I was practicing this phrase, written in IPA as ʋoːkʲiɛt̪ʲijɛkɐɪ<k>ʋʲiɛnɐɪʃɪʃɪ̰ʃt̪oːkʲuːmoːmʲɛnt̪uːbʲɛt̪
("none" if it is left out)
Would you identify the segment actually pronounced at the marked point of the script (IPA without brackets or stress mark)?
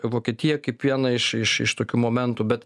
p